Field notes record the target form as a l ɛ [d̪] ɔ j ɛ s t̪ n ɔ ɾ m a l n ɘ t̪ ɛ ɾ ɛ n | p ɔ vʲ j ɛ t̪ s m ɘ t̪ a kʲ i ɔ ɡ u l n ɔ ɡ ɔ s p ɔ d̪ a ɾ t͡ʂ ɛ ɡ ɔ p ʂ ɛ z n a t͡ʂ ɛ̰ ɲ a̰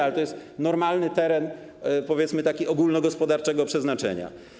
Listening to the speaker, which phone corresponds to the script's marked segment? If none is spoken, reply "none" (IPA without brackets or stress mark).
t̪